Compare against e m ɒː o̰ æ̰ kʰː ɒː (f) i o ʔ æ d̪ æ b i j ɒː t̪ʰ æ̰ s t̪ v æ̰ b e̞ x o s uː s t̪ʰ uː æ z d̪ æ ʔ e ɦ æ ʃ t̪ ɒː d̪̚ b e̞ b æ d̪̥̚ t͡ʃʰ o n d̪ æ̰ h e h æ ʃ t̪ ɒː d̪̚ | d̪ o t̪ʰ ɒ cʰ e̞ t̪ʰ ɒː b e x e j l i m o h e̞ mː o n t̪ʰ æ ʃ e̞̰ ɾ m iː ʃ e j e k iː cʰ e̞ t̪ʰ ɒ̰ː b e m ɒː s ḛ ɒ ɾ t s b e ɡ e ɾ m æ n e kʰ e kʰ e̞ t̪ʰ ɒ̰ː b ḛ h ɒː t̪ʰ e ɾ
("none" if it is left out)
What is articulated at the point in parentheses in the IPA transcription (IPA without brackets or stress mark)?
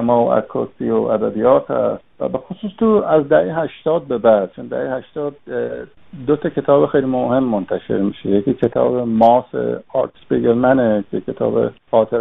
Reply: s